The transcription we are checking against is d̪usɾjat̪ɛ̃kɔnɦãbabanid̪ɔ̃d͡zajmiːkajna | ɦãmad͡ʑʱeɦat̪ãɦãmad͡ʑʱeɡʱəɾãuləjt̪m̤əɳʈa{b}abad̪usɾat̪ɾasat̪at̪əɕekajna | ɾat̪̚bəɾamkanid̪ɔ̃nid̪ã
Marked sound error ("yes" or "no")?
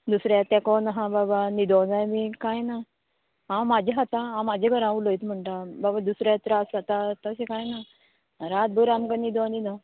no